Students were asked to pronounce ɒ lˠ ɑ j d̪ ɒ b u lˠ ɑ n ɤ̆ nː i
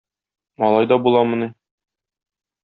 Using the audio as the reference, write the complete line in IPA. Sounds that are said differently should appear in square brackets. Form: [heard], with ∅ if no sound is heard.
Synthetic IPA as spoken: ɒ lˠ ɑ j d̪ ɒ b u lˠ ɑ [m] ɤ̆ [n] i